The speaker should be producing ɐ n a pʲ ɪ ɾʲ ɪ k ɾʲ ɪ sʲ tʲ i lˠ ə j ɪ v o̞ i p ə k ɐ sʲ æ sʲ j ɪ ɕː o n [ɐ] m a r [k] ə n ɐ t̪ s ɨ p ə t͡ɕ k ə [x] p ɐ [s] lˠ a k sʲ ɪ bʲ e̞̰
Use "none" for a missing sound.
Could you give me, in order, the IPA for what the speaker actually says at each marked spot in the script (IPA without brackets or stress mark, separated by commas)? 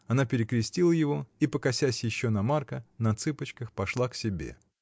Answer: ɐ, k, x, ʂ